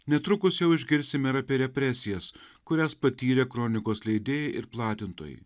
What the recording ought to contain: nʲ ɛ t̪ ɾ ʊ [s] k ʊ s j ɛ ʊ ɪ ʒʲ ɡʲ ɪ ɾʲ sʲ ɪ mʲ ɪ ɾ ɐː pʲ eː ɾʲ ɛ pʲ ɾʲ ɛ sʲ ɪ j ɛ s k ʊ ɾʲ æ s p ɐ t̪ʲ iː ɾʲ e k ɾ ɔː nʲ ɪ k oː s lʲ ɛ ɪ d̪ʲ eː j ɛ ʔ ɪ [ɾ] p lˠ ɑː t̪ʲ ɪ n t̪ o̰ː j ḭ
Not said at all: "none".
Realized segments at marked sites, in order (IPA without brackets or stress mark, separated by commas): none, ɾ